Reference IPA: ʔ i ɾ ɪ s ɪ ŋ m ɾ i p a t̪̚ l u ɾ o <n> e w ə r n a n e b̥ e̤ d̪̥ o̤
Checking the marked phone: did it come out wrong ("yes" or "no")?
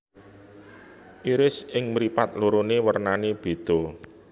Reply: no